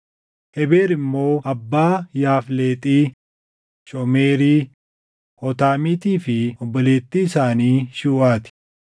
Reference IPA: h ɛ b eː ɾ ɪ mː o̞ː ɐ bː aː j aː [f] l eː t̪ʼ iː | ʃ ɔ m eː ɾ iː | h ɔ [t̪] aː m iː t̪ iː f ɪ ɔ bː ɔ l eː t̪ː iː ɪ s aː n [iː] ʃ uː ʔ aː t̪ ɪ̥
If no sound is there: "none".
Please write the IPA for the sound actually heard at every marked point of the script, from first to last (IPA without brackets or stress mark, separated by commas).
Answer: f, t̪, iː